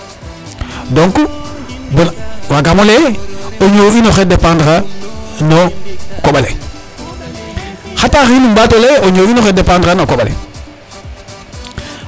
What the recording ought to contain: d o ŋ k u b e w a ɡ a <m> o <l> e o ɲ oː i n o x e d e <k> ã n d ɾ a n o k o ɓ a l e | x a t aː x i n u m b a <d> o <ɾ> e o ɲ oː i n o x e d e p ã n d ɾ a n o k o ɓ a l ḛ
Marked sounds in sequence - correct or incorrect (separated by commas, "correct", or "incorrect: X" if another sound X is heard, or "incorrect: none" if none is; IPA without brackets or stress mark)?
correct, correct, incorrect: p, incorrect: t, incorrect: l